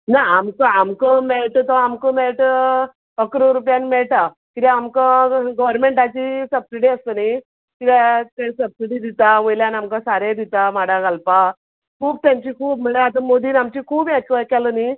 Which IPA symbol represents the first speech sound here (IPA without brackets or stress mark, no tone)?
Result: n